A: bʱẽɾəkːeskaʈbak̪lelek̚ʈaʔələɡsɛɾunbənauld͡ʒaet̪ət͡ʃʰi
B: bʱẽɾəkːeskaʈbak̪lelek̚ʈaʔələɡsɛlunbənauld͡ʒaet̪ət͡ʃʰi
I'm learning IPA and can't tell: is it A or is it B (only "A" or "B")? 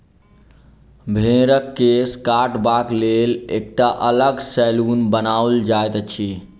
B